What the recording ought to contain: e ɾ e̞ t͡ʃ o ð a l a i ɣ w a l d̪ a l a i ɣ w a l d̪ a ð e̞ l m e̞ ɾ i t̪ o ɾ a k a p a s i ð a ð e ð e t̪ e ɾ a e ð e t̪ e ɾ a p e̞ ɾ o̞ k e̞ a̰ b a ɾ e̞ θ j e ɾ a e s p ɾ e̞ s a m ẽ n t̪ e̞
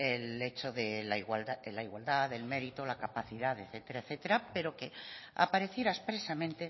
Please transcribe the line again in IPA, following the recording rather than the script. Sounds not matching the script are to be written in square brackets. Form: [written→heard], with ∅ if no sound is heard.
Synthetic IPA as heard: e [ɾ→l] e̞ t͡ʃ o ð [a→e] l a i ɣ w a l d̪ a l a i ɣ w a l d̪ a ð e̞ l m e̞ ɾ i t̪ o [ɾ→l] a k a p a [s→θ] i ð a ð e [ð→θ] e t̪ e ɾ a e [ð→θ] e t̪ e ɾ a p e̞ ɾ o̞ k e̞ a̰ [b→p] a ɾ e̞ θ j e ɾ a e s p ɾ e̞ s a m ẽ n t̪ e̞

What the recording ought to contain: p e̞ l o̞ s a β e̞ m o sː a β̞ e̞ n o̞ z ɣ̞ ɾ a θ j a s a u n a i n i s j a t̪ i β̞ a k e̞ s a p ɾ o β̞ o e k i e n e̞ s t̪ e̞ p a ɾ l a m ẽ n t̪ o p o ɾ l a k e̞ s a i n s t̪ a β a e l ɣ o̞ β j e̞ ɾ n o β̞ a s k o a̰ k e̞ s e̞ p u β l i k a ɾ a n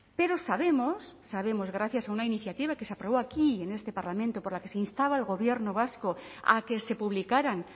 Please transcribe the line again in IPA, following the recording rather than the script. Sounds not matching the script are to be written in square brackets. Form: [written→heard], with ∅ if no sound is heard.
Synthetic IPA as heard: p e̞ [l→ɾ] o̞ s a β e̞ m o sː a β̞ e̞ [n→m] o̞ z ɣ̞ ɾ a θ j a s a u n a i n i [s→θ] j a t̪ i β̞ a k e̞ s a p ɾ o β̞ o [e→a] k i e n e̞ s t̪ e̞ p a ɾ l a m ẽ n t̪ o p o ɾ l a k e̞ s [a→e] i n s t̪ a β a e l ɣ o̞ β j e̞ ɾ n o β̞ a s k o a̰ k e̞ s e̞ p u β l i k a ɾ a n

